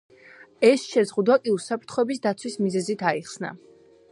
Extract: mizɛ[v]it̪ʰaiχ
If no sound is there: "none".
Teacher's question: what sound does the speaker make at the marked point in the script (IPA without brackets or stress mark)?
z